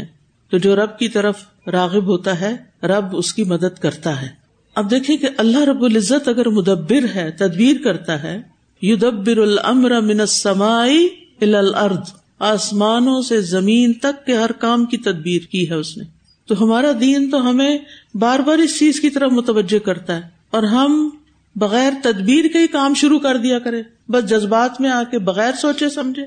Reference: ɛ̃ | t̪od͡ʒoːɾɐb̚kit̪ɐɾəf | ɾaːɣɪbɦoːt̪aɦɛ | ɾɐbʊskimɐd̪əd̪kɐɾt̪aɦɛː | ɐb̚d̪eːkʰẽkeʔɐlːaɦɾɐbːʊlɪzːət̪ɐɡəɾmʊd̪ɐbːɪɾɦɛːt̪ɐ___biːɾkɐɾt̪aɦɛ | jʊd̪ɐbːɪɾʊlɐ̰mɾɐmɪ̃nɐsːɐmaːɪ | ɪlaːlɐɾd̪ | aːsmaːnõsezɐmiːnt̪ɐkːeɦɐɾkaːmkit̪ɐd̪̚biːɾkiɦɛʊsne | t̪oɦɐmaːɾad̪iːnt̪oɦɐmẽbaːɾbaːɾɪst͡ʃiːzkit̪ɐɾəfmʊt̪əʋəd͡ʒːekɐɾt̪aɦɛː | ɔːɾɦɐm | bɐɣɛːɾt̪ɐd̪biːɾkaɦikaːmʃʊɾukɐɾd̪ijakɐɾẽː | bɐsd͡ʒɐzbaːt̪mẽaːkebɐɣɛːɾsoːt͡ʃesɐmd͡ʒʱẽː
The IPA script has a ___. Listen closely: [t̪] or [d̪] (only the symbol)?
d̪